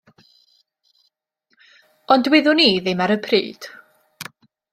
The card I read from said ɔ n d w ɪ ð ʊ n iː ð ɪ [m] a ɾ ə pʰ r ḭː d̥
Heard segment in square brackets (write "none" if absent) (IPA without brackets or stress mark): m